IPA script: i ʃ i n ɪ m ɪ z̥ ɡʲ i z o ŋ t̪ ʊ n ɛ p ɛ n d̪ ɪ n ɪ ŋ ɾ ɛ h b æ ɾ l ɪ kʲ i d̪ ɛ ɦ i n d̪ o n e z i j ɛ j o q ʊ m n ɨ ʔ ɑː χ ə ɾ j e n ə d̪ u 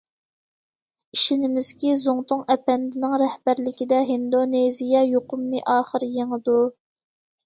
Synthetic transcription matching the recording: i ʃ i n ɪ m ɪ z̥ kʲ i z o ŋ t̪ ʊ ŋ ɛ p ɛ n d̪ ɪ n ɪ ŋ ɾ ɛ h b æ ɾ l ɪ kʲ i d̪ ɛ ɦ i n d̪ o n e z i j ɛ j o q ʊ m n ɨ ʔ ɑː χ ə ɾ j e ŋ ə d̪ u